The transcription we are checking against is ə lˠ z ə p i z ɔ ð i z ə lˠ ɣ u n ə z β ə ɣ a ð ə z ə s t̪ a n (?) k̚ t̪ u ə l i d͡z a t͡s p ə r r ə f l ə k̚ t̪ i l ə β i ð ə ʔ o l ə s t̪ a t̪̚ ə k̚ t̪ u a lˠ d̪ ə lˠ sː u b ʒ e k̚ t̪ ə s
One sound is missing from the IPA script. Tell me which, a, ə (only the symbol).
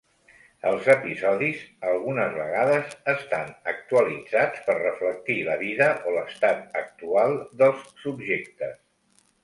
ə